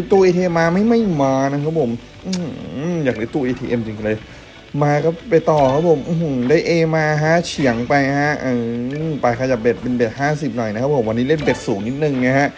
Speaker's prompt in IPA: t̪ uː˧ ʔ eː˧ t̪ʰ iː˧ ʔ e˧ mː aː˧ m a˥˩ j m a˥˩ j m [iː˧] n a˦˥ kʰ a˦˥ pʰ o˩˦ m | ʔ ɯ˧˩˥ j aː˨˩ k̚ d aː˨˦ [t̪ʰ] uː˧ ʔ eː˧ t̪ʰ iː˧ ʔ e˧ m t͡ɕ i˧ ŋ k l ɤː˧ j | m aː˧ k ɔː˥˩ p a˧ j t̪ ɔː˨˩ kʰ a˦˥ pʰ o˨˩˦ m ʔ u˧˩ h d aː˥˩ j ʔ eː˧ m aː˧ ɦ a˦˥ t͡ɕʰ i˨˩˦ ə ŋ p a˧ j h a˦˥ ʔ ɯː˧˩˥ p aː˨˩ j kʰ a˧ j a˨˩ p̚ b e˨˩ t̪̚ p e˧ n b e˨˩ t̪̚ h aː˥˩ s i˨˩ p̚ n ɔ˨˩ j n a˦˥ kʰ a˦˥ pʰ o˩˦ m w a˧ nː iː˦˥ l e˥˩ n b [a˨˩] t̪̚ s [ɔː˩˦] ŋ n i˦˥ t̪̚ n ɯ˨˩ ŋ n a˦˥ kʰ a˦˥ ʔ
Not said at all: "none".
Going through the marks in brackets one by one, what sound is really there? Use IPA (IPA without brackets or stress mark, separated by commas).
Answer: aː˧, t̪, e˨˩, uː˩˦